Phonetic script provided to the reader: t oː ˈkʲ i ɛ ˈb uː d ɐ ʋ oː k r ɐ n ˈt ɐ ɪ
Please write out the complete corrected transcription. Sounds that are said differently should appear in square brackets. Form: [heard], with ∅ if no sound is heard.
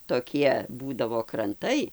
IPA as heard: t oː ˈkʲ i ɛ ˈb uː d ɐ ʋ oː k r ɐ n ˈt ɐ ɪ